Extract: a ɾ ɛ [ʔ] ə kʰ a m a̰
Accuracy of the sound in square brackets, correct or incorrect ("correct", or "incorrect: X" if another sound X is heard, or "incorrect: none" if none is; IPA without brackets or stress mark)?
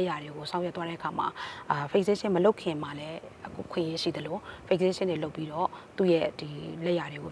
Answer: correct